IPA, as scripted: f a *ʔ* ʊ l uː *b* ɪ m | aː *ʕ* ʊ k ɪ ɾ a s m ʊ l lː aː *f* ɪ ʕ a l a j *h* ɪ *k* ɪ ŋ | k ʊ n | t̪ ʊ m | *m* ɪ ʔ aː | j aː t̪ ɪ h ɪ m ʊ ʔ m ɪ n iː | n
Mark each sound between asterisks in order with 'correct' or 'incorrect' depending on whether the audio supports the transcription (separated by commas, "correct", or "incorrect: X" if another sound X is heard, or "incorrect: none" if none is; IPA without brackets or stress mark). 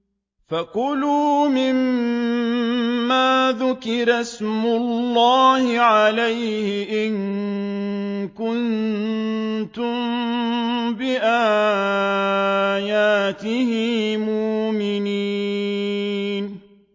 incorrect: q, incorrect: m, incorrect: ð, incorrect: h, correct, incorrect: ʔ, incorrect: b